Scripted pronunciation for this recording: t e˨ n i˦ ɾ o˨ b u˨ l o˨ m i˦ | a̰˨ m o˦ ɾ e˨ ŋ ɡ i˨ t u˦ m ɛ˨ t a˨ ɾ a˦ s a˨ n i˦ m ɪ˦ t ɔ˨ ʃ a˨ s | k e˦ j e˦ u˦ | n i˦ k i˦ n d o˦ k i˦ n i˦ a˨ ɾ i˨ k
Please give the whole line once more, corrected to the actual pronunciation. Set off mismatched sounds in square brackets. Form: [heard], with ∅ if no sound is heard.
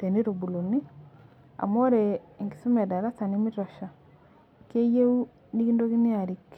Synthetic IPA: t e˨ n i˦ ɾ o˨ b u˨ l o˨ [n] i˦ | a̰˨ m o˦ ɾ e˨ ŋ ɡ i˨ [s] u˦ m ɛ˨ [d] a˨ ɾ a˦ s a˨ n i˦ m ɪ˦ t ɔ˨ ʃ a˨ [∅] | k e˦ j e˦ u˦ | n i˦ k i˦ n d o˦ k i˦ n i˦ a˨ ɾ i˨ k